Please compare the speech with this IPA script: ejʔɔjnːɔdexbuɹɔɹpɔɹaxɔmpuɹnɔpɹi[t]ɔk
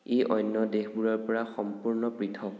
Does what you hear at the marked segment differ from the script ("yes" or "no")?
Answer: yes